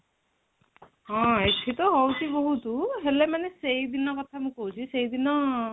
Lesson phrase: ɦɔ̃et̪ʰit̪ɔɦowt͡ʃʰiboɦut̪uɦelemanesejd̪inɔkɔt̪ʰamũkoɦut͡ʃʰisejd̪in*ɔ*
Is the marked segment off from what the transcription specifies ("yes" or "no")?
no